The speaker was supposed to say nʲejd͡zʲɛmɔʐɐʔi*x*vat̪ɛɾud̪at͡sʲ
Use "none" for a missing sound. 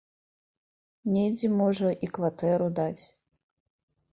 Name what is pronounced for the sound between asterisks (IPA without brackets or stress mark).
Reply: k